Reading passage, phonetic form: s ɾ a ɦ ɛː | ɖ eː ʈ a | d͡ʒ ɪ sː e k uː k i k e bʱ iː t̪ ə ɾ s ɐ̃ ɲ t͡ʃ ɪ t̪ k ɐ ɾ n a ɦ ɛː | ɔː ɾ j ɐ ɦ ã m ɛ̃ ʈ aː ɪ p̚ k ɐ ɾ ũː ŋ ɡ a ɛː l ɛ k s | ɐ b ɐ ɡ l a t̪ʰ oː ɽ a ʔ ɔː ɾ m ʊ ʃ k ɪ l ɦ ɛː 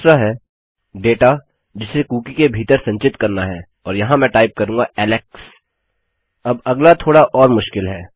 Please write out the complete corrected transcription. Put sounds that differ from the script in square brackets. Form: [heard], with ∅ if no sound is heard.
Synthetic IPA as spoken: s ɾ a ɦ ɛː | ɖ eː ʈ a | d͡ʒ ɪ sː e k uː k i k e bʱ iː t̪ ə ɾ s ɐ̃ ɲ t͡ʃ ɪ t̪ k ɐ ɾ n a ɦ ɛː | ɔː ɾ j ɐ ɦ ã m ɛ̃ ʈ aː ɪ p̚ k ɐ ɾ ũː ŋ ɡ a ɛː l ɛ k s | ɐ b ɐ ɡ l a t̪ʰ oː ɽ a ʔ ɔː ɾ m ʊ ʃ k ɪ l ɦ ɛː